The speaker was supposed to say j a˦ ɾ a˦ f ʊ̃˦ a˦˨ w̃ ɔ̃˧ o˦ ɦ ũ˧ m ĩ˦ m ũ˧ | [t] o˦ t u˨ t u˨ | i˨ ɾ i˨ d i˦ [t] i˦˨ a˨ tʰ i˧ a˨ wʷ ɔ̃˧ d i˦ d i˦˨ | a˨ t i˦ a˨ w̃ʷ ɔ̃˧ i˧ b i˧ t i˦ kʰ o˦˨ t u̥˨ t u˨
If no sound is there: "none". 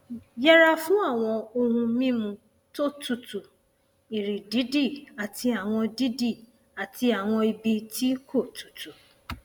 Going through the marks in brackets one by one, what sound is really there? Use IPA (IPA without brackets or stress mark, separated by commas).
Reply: t, d